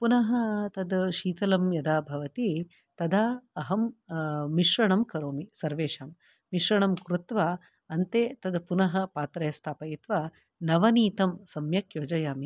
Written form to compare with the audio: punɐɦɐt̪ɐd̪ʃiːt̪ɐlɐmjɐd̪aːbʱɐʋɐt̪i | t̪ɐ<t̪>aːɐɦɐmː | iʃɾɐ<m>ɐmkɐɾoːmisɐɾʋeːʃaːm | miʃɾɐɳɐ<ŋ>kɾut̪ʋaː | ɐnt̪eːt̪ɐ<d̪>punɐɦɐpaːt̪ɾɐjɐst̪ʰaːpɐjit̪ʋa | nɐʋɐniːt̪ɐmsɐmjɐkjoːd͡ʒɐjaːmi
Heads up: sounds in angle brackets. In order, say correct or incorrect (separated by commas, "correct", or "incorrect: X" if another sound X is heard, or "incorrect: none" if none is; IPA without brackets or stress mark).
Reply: incorrect: d̪, incorrect: ɳ, incorrect: m, correct